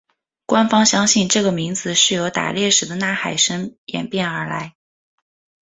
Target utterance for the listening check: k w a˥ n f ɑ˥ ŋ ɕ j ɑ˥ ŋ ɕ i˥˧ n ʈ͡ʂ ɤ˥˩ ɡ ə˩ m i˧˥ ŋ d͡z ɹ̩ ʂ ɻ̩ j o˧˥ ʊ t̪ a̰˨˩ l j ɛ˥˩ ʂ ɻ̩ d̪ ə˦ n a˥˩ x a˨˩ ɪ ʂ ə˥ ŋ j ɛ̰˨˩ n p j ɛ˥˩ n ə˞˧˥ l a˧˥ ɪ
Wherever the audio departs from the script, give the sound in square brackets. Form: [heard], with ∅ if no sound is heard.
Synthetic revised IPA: k w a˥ n f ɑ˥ ŋ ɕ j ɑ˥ ŋ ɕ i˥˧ n ʈ͡ʂ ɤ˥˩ ɡ ə˩ m i˧˥ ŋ d͡z ɹ̩ ʂ ɻ̩ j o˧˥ ʊ t̪ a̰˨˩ l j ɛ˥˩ ʂ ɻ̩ d̪ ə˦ n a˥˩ x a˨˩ ɪ ʂ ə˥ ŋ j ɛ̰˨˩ n p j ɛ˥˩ n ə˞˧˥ l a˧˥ ɪ